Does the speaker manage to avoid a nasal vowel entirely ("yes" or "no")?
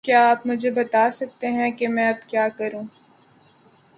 no